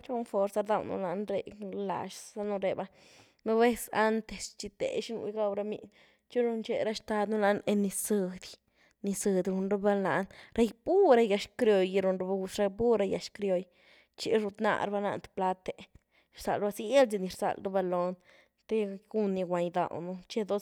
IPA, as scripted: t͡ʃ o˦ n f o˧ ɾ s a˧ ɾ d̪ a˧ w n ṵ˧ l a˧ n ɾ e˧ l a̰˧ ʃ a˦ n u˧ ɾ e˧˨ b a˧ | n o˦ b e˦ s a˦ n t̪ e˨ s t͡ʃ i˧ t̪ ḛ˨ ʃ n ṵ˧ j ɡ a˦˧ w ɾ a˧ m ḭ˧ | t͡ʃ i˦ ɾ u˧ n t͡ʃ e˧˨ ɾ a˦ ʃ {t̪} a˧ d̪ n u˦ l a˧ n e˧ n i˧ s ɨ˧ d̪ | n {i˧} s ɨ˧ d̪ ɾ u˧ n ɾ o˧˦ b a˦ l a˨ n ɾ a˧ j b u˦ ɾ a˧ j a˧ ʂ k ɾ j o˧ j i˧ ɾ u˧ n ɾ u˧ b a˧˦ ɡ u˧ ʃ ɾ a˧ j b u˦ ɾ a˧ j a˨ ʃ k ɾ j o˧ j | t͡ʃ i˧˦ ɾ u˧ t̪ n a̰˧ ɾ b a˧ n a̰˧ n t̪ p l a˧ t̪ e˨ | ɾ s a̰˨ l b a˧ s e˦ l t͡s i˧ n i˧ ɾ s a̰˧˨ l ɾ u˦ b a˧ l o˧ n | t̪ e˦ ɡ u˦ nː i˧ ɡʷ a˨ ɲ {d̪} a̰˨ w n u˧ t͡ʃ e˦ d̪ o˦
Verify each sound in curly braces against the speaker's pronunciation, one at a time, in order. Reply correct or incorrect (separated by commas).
correct, correct, correct